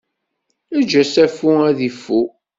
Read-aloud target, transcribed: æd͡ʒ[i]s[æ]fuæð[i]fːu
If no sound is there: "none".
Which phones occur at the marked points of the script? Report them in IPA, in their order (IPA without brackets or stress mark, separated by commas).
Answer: æ, æ, i